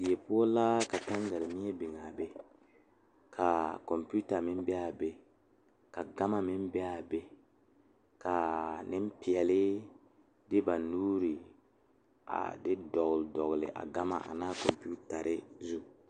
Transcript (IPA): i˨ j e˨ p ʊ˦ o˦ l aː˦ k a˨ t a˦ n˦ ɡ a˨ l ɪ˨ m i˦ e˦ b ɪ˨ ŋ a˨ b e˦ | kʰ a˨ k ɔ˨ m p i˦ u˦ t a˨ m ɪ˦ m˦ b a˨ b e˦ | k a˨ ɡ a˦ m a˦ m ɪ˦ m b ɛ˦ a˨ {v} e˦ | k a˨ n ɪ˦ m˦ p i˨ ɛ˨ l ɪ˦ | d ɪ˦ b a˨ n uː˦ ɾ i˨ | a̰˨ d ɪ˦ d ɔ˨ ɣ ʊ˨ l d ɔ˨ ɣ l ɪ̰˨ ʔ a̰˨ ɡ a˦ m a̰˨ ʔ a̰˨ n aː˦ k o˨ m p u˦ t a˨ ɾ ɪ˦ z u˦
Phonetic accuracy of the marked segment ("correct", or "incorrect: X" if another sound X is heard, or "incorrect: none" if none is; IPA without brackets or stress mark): incorrect: b